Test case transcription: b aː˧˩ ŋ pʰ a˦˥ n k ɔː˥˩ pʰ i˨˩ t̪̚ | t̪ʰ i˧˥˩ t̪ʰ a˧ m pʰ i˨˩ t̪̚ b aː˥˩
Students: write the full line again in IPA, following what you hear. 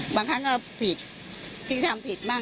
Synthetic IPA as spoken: b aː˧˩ ŋ kʰ a˦˥ n k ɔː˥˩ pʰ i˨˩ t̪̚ | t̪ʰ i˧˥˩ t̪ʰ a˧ m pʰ i˨˩ t̪̚ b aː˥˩